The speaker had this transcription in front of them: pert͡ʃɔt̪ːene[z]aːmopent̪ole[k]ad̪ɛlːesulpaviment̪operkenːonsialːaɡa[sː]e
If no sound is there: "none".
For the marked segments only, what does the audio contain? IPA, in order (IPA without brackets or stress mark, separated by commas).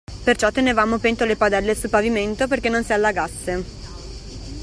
v, p, sː